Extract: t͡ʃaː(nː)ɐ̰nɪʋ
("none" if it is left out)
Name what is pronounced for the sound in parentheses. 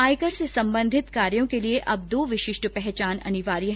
n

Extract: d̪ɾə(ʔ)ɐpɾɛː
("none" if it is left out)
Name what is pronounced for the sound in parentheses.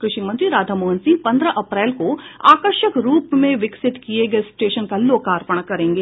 ʔ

